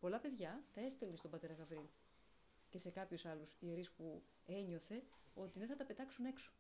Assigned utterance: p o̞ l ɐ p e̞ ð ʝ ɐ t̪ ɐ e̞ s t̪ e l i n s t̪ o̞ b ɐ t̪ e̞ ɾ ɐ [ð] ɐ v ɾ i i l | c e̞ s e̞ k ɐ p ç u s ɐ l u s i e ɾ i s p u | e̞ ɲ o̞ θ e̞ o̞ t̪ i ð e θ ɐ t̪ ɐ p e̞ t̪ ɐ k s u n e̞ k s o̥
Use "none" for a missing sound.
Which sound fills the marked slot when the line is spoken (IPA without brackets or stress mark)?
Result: ɣ